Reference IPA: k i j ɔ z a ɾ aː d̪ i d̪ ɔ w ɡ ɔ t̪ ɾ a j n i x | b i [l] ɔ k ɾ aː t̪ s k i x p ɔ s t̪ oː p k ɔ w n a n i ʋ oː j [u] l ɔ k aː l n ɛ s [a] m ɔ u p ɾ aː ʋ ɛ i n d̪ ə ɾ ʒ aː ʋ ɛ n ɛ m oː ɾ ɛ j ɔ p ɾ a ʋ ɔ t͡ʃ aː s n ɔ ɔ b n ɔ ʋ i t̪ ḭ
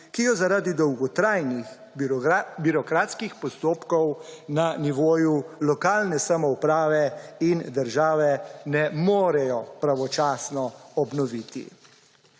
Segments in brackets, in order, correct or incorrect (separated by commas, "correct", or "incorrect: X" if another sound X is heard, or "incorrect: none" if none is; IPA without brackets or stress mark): incorrect: ɾ, correct, correct